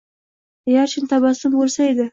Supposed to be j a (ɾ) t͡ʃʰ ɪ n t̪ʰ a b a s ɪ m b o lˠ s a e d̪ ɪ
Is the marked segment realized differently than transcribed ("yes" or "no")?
no